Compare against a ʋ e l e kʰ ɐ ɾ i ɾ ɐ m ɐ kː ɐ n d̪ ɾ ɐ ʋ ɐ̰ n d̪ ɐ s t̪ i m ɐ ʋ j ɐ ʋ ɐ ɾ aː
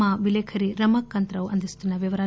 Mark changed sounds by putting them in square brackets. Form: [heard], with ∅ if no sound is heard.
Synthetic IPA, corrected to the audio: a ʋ [i] l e kʰ ɐ ɾ i ɾ ɐ m ɐ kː ɐ n [t̪] ɾ ɐ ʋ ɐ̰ n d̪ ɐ s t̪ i [n] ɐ ʋ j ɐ ʋ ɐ ɾ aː